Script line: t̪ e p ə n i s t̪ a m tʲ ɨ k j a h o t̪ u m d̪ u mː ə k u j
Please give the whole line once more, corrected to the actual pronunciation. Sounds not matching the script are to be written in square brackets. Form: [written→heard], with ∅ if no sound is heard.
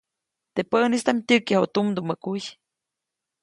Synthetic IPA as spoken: t̪ e p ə n i s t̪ a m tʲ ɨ k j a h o t̪ u m d̪ u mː ə k u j

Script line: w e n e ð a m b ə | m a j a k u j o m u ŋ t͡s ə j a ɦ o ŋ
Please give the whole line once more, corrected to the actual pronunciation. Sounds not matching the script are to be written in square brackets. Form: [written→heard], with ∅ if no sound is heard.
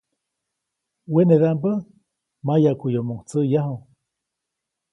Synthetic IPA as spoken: w e n e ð a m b ə | m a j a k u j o m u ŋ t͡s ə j a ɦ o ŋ

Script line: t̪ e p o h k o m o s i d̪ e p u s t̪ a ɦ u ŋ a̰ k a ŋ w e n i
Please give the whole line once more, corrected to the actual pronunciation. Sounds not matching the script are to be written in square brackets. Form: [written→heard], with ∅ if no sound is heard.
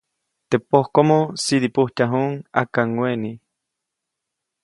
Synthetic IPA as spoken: t̪ e p o h k o m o s i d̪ [e→i] p u [s→h] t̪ a ɦ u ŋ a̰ k a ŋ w e n i

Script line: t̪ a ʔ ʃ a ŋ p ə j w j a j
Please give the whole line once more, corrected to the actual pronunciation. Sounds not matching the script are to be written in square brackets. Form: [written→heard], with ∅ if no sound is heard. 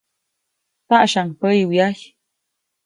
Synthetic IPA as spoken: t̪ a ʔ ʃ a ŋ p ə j w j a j

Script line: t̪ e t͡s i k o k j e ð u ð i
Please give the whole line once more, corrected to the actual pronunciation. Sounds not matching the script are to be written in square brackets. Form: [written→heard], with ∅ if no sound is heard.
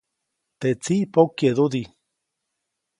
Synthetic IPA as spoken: t̪ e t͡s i [k→p] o k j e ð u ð i

